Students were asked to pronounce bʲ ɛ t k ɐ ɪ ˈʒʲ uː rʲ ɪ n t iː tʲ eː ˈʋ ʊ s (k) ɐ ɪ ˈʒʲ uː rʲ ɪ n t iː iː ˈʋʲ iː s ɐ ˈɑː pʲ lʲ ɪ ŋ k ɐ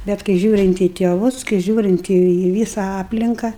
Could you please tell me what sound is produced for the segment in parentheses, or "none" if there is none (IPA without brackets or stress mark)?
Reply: k